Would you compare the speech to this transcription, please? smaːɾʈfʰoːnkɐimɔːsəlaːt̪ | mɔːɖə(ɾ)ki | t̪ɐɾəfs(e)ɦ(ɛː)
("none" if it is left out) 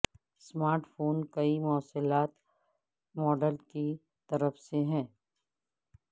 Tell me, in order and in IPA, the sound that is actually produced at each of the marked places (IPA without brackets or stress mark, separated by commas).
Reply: l, e, ɛ̃ː